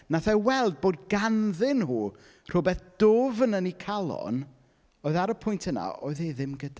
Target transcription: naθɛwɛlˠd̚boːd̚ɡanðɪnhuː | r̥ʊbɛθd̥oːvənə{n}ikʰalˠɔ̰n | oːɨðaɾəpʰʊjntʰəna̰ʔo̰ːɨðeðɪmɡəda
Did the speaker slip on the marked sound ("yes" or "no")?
no